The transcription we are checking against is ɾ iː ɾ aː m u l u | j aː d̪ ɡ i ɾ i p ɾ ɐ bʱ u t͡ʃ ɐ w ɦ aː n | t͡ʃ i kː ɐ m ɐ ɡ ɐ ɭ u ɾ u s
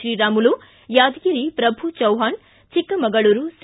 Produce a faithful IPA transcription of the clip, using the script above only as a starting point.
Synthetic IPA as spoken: ɾ iː ɾ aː m u l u | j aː d̪ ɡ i ɾ i p ɾ ɐ bʱ u t͡ʃ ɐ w ɦ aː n | t͡ʃ i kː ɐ m ɐ ɡ ɐ ɭ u ɾ u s